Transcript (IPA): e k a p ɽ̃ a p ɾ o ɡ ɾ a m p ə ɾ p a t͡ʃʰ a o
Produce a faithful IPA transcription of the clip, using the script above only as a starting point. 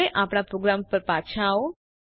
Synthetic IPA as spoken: e ʔ a p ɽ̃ a p ɾ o ɡ ɾ a m p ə ɾ p a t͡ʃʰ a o

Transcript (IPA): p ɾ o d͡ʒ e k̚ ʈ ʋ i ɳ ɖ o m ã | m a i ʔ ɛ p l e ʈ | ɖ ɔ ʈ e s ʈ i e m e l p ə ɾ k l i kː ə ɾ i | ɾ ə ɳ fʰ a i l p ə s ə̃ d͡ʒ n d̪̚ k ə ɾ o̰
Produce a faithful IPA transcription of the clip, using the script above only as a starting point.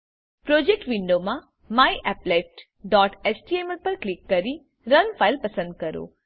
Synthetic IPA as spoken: p ɾ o d͡ʒ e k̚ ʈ ʋ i ɳ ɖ o m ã | m a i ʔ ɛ p l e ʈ | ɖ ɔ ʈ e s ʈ i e m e l p ə ɾ k l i kː ə ɾ i | ɾ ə n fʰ a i l p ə s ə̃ n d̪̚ k ə ɾ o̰

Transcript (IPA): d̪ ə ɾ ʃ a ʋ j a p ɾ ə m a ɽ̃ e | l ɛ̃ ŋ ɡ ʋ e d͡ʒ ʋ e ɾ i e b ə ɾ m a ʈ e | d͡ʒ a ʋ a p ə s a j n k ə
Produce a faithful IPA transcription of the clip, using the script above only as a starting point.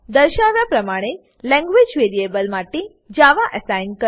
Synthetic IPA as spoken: d̪ ə ɾ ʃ a ʋ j a p ɾ ə m a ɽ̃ e | l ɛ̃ ŋ ɡ ʋ e d͡ʒ ʋ e ɾ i e b ə l m a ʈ e | d͡ʒ a ʋ a ʔ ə s a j n k ə

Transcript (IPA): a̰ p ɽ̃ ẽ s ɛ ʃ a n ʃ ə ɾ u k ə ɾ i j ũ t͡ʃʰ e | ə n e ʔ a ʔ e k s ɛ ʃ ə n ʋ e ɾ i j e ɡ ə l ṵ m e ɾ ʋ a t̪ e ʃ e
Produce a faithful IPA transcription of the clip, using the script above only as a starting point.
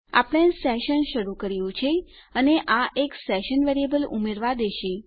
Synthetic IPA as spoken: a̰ p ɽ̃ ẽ s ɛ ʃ ə n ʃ ə ɾ u k ə ɾ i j ũ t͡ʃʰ e | ə n e ʔ a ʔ e k s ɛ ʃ ə n ʋ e ɾ i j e b ə l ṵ m e ɾ ʋ a d̪ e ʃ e

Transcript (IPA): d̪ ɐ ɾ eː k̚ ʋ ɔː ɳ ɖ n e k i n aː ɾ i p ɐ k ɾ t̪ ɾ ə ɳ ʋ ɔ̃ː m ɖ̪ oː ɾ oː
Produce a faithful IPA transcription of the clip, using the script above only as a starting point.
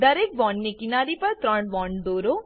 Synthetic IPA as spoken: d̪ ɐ ɾ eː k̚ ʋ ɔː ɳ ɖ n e k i n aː ɾ i p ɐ ɾ t̪ ɾ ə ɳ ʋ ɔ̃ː ɳ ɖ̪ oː ɾ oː

